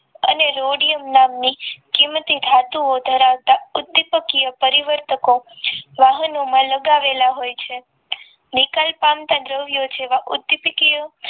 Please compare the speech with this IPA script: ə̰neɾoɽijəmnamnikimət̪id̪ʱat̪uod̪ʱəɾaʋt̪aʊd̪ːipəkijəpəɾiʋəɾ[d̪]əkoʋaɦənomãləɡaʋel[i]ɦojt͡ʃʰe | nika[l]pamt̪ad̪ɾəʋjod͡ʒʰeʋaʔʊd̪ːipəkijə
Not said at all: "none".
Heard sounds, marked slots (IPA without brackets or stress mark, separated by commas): t̪, a, l